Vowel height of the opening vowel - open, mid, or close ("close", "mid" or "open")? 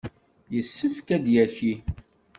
mid